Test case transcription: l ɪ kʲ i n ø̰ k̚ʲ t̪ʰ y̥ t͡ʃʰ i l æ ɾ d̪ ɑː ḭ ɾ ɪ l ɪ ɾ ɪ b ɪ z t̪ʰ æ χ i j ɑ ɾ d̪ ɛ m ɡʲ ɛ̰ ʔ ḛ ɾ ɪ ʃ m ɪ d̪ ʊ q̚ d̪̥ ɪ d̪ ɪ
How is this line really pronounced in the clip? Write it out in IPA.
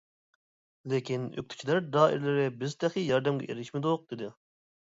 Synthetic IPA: l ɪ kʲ i n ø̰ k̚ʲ t̪ʰ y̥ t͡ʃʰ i l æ ɾ d̪ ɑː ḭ ɾ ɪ l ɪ ɾ ɪ b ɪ z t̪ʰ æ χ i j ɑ ɾ d̪ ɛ m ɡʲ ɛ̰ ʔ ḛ ɾ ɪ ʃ m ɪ d̪ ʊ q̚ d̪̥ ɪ d̪ ɪ